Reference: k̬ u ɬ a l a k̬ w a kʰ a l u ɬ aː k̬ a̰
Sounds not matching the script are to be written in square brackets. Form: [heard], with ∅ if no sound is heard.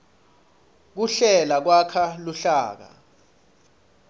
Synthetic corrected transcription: k̬ u ɬ [ɛ] l a k̬ w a kʰ a l u ɬ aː k̬ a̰